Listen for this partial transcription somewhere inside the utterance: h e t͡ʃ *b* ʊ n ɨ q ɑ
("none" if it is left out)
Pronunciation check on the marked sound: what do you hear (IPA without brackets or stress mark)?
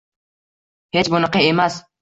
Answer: b